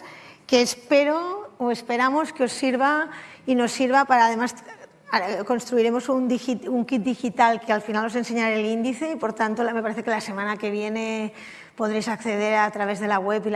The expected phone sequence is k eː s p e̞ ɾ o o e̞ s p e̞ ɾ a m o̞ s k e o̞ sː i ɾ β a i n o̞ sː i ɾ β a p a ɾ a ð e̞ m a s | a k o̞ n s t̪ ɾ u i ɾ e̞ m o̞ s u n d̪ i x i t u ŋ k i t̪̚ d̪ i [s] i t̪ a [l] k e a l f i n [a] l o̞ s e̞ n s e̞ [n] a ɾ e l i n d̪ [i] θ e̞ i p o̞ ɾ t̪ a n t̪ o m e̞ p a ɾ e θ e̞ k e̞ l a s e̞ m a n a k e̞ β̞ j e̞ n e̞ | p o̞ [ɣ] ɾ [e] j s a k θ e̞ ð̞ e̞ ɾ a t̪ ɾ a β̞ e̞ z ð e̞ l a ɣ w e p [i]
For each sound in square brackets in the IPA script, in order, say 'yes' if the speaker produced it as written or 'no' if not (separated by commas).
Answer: no, yes, yes, no, yes, no, yes, yes